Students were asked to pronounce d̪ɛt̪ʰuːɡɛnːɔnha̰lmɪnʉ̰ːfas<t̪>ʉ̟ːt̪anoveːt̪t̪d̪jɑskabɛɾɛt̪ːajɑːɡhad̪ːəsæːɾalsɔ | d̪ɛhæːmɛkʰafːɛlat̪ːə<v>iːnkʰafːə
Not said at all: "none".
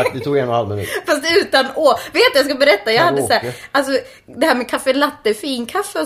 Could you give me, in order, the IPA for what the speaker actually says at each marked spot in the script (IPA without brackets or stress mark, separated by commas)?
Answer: t̪, f